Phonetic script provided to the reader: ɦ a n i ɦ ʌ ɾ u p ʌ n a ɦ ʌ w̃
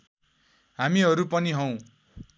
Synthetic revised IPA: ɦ a m i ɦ ʌ ɾ u p ʌ n i ɦ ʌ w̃